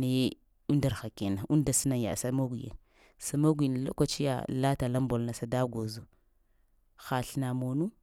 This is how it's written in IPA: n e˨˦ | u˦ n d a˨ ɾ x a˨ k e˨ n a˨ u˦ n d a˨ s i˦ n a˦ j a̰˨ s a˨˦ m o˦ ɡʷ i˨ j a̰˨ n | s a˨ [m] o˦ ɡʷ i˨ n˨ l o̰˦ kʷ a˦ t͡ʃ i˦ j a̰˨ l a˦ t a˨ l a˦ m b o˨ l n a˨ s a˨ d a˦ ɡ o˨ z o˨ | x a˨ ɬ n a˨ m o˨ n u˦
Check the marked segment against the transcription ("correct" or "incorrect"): correct